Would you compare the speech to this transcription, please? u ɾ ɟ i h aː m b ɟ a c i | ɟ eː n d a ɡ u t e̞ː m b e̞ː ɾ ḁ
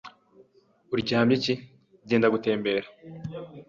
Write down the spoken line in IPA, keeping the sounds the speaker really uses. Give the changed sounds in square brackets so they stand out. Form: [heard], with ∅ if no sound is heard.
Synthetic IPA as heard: u ɾ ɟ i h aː m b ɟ [i] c i | ɟ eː n d a ɡ u t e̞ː m b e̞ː ɾ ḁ